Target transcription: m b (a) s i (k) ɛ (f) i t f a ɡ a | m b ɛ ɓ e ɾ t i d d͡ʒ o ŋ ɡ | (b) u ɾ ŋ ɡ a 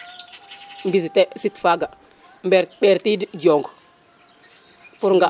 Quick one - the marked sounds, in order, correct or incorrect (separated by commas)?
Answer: incorrect, incorrect, incorrect, incorrect